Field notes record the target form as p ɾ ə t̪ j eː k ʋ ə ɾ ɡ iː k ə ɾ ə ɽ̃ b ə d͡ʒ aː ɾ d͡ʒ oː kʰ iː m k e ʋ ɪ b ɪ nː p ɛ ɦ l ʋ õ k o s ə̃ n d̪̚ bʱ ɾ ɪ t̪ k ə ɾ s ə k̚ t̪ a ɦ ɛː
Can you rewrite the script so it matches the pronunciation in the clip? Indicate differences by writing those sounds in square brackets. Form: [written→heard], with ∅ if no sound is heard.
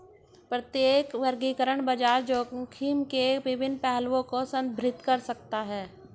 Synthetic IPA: p ɾ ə t̪ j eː k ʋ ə ɾ ɡ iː k ə ɾ ə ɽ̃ b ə d͡ʒ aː ɾ d͡ʒ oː kʰ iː m k e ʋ ɪ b ɪ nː p ɛ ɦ l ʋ õ k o s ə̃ n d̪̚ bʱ ɾ ɪ t̪ k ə ɾ s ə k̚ t̪ a ɦ ɛː